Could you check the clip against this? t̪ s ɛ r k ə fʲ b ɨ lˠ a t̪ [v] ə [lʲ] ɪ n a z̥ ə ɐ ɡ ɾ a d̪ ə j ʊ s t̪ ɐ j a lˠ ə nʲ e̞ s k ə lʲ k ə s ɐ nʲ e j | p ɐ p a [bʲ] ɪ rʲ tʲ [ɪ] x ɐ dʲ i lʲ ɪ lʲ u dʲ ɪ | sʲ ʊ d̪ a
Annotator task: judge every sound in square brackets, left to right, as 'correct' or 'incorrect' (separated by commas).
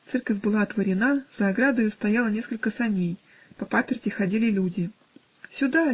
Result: correct, incorrect, incorrect, correct